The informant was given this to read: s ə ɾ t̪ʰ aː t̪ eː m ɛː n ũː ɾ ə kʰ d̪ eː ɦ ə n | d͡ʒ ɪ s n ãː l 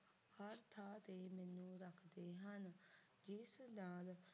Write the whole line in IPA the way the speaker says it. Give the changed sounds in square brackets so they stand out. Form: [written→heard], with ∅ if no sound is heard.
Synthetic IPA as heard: [s→h] ə ɾ t̪ʰ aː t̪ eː m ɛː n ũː ɾ ə kʰ d̪ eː ɦ ə n | d͡ʒ ɪ s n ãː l